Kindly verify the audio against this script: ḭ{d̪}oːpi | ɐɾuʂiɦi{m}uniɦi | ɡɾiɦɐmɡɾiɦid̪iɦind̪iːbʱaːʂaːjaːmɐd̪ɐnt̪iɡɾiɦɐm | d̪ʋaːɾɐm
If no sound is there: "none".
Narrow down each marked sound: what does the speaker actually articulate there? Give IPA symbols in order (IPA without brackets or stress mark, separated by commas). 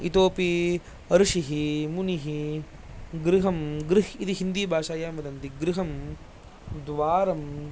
t̪, m